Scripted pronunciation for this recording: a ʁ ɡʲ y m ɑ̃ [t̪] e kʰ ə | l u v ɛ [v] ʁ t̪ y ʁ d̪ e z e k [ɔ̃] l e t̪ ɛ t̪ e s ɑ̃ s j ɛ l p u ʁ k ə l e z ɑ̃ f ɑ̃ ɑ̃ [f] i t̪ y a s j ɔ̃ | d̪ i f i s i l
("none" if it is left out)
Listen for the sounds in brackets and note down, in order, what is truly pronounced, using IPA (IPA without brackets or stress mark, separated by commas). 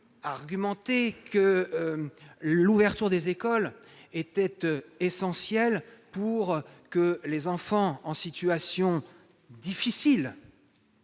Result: t̪, none, ɔ, s